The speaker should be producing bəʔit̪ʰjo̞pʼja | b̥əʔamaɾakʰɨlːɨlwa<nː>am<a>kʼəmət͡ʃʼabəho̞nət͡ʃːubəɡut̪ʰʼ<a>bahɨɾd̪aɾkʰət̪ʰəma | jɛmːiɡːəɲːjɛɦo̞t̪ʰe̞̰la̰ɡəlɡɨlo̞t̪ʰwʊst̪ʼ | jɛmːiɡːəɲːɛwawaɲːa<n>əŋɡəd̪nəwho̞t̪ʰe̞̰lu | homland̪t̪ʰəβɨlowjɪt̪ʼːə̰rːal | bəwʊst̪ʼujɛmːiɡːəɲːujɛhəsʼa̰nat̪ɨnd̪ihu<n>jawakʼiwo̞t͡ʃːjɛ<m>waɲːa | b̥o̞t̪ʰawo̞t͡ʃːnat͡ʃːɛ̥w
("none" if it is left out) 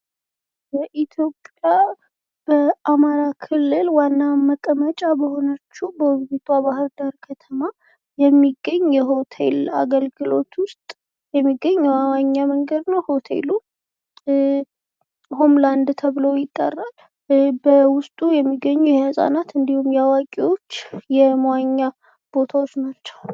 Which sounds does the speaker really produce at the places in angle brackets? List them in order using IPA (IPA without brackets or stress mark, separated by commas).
nː, ə, a, m, m, m